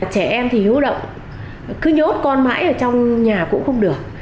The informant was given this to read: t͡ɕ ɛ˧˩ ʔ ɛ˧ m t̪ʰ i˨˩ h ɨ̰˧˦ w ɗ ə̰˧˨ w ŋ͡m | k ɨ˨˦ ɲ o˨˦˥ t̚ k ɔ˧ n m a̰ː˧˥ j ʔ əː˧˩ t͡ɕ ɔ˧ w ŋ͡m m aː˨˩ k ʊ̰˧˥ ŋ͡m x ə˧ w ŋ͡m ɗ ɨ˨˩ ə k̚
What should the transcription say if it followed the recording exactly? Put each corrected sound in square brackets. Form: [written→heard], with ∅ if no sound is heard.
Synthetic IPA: t͡ɕ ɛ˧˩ ʔ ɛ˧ m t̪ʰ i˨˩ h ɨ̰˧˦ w ɗ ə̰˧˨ w ŋ͡m | k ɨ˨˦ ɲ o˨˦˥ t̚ k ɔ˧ n m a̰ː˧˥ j ʔ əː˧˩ t͡ɕ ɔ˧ w ŋ͡m [m→ɲ] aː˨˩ k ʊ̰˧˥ ŋ͡m x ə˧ w ŋ͡m ɗ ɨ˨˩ ə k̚

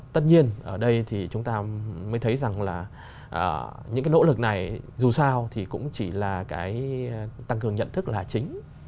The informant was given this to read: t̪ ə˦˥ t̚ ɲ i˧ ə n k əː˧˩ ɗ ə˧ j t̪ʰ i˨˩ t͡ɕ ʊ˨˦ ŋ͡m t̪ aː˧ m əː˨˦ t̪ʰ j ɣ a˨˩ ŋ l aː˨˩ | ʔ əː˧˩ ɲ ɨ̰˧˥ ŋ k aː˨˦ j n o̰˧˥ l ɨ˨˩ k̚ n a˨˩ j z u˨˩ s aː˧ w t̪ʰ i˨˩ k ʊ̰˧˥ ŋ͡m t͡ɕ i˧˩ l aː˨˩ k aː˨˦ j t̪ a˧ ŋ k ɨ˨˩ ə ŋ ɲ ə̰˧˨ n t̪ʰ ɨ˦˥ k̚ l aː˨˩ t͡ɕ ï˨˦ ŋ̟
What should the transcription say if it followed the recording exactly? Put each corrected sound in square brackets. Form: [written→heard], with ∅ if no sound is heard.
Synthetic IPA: t̪ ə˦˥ t̚ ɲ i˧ ə n [k→ʔ] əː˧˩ ɗ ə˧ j t̪ʰ i˨˩ t͡ɕ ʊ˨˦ ŋ͡m t̪ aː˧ m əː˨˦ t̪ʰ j [ɣ→z] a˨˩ ŋ l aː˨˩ | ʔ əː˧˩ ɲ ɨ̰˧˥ ŋ k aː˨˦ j n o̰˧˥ l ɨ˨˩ k̚ n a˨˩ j z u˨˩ s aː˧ w t̪ʰ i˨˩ k ʊ̰˧˥ ŋ͡m t͡ɕ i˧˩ l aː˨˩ k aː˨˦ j t̪ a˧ ŋ k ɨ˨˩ ə ŋ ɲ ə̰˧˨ n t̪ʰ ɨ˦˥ k̚ l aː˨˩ t͡ɕ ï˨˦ ŋ̟

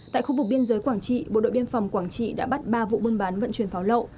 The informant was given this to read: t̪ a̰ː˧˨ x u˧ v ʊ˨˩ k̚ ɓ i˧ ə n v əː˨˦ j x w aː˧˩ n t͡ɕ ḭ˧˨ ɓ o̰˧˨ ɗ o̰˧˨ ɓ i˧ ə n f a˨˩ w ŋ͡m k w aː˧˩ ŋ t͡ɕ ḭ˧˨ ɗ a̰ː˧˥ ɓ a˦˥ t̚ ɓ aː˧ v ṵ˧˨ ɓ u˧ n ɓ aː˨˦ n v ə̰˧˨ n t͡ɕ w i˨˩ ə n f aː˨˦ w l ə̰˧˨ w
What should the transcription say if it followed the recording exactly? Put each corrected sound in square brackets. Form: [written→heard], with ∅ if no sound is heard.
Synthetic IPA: t̪ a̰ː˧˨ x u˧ v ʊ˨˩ k̚ ɓ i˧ ə n [v→z] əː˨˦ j [x→k] w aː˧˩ [n→ŋ] t͡ɕ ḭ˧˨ ɓ o̰˧˨ ɗ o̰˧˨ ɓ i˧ ə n f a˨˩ w ŋ͡m k w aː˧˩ ŋ t͡ɕ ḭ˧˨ ɗ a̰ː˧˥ ɓ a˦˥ t̚ ɓ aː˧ v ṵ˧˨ ɓ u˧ n ɓ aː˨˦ n v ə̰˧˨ n t͡ɕ w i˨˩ ə n f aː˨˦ w l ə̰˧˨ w

